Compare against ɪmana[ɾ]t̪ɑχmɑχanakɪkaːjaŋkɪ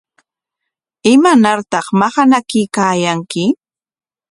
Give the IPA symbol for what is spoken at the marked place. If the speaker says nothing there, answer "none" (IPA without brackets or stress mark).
ɾ